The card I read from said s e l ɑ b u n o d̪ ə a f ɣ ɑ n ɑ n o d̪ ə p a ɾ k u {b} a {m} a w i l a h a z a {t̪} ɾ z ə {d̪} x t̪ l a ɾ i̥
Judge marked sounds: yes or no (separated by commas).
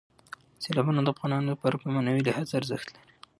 no, no, no, no